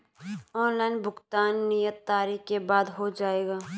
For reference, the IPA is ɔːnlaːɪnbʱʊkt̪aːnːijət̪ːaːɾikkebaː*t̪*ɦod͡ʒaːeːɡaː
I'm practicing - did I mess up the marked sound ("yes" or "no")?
yes